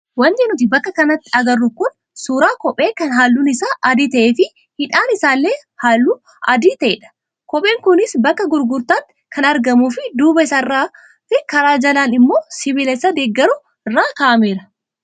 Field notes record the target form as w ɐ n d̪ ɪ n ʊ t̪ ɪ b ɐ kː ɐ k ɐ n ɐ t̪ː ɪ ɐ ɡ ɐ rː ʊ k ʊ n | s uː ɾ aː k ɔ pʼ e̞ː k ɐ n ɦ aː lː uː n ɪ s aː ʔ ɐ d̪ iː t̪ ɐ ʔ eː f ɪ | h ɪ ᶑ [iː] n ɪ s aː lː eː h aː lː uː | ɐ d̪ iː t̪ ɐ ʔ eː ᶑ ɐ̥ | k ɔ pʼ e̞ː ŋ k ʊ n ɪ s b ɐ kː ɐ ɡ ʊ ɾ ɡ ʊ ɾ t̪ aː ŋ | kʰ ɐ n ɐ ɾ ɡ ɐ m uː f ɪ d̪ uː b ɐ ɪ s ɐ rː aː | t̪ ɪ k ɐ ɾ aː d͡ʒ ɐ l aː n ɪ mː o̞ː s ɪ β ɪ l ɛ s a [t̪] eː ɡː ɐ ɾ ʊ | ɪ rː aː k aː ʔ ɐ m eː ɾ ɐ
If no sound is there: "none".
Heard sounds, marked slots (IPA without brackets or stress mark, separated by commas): aː, d̪